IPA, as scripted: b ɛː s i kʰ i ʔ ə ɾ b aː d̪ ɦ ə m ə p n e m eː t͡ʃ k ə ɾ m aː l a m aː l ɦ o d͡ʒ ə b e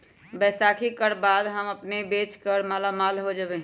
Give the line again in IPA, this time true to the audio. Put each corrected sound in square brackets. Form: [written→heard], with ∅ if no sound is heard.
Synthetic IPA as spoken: b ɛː s [i→a] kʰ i [ʔ→k] ə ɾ b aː d̪ ɦ ə m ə p n e [m→b] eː t͡ʃ k ə ɾ m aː l a m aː l ɦ o d͡ʒ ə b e